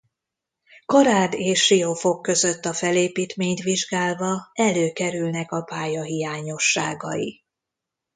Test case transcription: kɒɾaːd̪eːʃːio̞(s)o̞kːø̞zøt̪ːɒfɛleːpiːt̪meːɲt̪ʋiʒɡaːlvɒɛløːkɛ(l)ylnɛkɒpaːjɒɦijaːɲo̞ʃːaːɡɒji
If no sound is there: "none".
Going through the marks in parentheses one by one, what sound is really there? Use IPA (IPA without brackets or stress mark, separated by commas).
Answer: f, ɾ